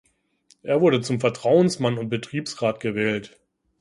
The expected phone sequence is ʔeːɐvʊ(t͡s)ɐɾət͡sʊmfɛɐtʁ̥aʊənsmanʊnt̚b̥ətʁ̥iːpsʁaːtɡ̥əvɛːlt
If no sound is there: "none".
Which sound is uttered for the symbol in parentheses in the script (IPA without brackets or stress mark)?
none